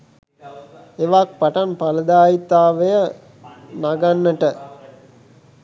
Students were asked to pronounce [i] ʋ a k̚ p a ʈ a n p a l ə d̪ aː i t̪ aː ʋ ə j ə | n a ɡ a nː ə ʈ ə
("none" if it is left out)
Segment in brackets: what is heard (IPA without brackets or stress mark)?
e